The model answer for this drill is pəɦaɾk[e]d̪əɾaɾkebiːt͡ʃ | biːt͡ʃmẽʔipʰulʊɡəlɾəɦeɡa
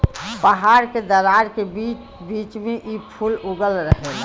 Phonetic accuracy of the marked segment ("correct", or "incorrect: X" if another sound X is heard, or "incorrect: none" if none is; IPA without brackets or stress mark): correct